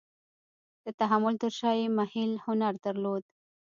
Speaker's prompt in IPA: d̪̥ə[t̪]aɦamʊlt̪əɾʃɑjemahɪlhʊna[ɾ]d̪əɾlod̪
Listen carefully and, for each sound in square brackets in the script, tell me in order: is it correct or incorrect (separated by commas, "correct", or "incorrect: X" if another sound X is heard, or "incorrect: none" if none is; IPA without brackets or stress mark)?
correct, correct